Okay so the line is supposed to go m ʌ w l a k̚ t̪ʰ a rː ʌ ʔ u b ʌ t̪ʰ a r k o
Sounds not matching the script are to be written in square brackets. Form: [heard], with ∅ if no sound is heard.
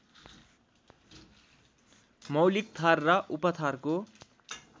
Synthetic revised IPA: m ʌ w l [i] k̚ t̪ʰ a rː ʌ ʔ u [p] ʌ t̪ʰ a r k o